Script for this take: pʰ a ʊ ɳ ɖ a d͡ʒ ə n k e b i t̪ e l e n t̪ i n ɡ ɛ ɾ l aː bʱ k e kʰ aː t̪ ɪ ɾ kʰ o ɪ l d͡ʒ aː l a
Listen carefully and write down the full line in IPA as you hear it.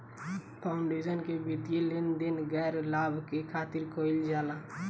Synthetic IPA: pʰ a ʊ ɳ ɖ e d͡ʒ ə n k e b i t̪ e l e n d̪ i n ɡ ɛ ɾ l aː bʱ k e kʰ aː t̪ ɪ ɾ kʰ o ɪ l d͡ʒ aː l a